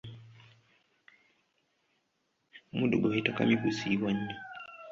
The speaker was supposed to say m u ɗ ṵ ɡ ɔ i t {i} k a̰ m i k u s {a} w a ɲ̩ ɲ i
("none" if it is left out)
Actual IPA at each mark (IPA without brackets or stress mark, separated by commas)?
a, i